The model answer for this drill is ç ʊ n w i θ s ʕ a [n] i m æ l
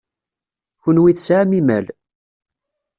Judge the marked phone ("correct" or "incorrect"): incorrect